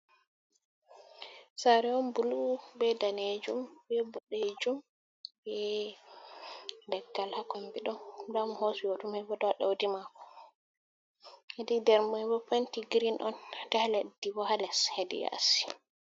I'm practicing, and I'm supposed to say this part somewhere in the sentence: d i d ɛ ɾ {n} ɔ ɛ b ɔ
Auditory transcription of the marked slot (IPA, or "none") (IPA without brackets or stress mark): m